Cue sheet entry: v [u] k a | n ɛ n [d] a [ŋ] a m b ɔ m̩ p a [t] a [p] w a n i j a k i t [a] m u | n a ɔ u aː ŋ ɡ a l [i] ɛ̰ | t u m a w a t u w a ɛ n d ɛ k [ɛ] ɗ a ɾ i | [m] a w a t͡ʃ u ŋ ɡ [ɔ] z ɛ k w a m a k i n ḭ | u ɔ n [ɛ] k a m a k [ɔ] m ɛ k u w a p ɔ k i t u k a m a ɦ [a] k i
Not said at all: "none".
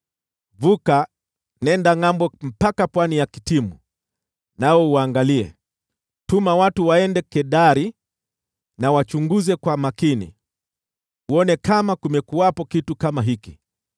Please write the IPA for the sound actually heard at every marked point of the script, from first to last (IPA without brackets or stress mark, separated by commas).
u, d, ŋ, k, p, i, i, ɛ, n, u, ɛ, u, i